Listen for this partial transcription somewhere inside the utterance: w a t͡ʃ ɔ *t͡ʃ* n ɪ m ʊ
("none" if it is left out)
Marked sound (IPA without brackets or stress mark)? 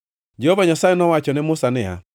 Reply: none